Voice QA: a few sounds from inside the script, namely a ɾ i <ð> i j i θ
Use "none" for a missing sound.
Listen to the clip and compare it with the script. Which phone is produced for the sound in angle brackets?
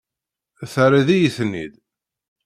ð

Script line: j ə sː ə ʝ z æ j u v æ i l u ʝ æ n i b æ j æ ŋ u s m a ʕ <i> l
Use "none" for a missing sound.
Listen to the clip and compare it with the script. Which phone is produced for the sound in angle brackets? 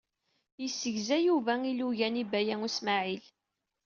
i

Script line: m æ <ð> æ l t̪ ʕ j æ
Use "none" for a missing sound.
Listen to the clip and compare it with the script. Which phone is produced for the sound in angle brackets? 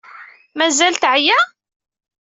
z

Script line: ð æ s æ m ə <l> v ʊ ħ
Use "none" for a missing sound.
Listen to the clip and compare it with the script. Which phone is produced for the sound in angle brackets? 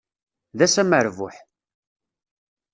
ɾ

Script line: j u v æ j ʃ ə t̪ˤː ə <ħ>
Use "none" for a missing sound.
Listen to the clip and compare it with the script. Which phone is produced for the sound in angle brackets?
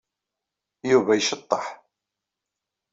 ħ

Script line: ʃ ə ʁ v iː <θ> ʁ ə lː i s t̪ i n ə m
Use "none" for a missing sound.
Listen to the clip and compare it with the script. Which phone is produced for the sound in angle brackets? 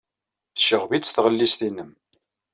θ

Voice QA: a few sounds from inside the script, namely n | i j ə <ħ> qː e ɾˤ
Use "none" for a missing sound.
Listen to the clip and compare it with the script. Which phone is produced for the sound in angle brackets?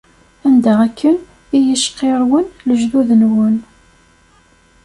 ʃ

